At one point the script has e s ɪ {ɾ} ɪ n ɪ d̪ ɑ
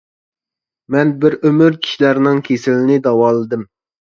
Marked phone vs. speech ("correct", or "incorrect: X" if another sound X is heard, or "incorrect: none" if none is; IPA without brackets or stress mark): incorrect: l